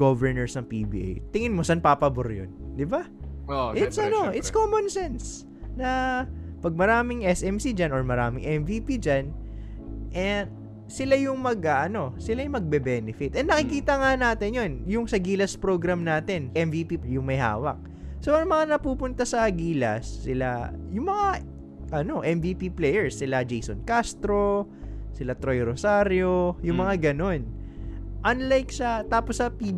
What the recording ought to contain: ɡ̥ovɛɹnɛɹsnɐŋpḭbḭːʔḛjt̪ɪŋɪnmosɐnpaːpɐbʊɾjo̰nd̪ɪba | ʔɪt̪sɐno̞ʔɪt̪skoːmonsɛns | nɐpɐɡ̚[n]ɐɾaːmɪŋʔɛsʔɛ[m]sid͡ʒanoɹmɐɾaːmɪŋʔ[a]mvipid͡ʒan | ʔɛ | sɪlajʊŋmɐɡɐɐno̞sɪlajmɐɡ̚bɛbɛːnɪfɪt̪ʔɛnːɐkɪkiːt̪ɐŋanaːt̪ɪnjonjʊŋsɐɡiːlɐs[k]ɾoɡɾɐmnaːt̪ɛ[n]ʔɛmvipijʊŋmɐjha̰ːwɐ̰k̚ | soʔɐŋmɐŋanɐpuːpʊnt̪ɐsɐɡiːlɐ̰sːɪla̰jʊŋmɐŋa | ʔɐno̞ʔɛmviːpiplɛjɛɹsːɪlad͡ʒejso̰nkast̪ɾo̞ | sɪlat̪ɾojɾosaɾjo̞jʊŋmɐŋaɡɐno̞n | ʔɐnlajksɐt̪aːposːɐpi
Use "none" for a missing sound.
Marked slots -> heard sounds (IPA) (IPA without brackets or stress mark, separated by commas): m, m, ɛ, p, n